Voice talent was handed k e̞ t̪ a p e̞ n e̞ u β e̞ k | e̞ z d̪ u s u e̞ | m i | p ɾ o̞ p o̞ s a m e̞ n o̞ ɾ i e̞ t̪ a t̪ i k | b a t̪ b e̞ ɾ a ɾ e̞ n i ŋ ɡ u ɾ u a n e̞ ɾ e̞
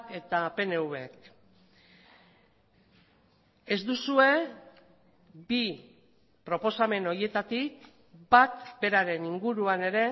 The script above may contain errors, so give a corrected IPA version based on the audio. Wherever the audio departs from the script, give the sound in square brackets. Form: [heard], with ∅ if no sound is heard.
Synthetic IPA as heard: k e̞ t̪ a p e̞ n e̞ u β e̞ k | e̞ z d̪ u s u e̞ | [b] i | p ɾ o̞ p o̞ s a m e̞ n o̞ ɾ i e̞ t̪ a t̪ i k | b a t̪ b e̞ ɾ a ɾ e̞ n i ŋ ɡ u ɾ u a n e̞ ɾ e̞